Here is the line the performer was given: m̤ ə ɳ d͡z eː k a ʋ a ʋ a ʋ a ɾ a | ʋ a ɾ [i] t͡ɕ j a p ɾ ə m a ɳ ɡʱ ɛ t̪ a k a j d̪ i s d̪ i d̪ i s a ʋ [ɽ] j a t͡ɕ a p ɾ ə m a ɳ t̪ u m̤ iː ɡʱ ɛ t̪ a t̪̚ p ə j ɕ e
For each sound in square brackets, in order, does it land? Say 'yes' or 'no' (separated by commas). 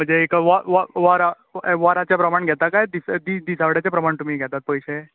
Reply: no, yes